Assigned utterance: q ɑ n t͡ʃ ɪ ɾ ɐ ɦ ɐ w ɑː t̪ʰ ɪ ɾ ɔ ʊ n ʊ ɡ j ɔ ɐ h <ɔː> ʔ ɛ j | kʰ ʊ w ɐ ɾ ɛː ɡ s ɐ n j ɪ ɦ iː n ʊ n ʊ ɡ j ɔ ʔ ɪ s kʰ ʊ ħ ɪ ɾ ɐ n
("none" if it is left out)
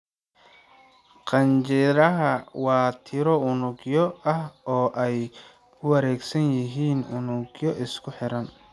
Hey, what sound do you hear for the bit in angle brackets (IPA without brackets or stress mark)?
ɔː